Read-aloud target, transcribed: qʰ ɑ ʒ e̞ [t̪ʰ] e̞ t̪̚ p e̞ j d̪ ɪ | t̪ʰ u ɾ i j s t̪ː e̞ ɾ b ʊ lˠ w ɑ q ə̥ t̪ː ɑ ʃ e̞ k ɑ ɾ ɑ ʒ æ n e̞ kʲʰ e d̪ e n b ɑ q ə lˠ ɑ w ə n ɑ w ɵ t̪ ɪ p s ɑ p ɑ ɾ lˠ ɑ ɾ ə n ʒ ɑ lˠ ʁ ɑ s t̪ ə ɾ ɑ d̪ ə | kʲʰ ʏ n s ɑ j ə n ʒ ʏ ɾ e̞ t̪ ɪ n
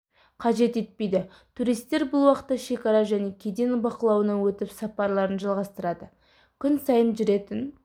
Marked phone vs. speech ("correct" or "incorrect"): incorrect